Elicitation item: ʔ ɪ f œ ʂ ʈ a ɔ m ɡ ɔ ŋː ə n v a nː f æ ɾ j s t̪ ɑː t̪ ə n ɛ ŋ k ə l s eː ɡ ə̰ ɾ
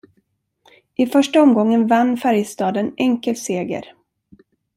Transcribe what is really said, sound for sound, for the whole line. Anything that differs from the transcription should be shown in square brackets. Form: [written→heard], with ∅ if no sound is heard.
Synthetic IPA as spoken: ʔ ɪ f œ ʂ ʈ a ɔ m ɡ ɔ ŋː ə n v a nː f æ ɾ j s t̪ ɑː [t̪→d̪] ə n ɛ ŋ k ə l s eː ɡ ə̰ ɾ